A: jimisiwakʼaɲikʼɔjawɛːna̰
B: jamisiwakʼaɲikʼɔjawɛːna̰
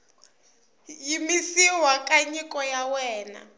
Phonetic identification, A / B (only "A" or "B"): A